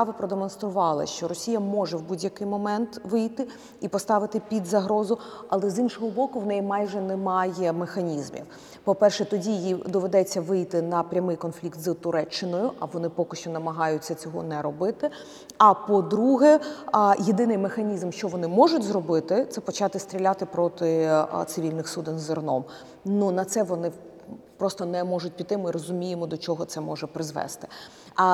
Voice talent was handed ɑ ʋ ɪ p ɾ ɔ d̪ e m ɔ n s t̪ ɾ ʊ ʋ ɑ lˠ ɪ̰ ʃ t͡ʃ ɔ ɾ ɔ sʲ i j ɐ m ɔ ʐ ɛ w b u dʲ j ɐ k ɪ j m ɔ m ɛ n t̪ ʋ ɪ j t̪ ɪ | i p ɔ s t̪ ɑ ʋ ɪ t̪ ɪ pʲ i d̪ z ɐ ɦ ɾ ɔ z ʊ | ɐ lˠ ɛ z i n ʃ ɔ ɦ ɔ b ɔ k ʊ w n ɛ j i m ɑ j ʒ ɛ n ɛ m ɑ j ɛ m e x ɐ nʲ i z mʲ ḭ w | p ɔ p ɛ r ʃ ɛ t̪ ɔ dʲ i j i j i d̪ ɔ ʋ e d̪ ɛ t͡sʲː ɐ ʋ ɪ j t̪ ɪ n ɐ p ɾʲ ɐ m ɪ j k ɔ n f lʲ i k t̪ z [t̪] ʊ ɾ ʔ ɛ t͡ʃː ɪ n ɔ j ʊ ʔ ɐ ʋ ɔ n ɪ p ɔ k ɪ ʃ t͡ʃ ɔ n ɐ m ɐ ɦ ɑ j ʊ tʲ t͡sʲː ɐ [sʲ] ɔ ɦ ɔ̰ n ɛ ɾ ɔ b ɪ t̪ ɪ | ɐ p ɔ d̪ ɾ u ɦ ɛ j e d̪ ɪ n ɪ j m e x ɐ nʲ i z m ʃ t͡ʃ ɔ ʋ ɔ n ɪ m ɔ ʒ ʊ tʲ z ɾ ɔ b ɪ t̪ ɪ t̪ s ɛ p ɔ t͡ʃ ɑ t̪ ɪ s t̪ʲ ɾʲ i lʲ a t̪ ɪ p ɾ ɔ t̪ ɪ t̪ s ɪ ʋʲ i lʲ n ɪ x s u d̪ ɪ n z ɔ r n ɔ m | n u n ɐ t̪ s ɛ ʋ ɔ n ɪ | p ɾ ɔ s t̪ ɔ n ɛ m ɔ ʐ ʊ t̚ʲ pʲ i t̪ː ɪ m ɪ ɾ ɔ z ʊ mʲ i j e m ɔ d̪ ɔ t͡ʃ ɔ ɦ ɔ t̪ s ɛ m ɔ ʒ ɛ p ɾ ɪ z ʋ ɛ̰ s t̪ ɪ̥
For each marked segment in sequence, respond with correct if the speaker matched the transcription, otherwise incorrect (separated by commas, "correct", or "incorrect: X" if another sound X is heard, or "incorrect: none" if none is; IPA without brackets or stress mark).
correct, incorrect: t͡sʲ